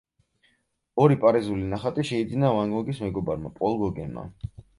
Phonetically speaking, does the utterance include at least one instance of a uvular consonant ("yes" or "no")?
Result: yes